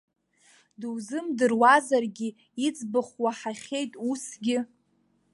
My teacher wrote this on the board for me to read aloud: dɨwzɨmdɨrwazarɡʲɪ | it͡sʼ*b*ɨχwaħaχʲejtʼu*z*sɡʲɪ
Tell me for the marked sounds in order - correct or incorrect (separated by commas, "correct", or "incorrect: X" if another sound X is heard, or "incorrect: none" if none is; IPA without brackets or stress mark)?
correct, incorrect: none